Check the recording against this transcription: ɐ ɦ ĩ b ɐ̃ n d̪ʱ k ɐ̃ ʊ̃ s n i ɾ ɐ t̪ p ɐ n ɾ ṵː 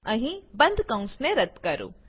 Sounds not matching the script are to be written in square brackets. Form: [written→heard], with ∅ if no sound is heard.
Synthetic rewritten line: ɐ ɦ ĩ b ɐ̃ n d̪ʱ k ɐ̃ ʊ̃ s n [i→e] ɾ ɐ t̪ [p→k] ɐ [n→∅] ɾ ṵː